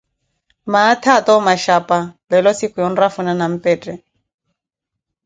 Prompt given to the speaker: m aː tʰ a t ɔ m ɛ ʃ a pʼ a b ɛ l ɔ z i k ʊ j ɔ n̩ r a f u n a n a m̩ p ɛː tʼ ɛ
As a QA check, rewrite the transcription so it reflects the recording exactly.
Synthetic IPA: m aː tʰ a t ɔ m a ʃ a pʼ a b ɛ l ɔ s i k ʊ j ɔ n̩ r a f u n a n a m̩ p ɛː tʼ ɛ